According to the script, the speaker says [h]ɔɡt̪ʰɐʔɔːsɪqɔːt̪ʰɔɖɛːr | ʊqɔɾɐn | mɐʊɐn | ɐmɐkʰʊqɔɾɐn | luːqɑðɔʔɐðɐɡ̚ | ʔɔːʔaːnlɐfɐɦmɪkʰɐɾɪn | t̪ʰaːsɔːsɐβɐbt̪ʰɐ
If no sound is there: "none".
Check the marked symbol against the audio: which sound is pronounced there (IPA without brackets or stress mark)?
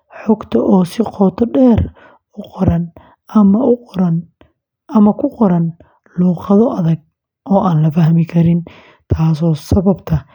ħ